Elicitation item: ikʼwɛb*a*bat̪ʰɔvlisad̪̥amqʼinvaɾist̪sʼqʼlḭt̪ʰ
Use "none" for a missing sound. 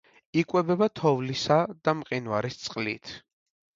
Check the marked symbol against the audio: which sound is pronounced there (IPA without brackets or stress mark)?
ɛ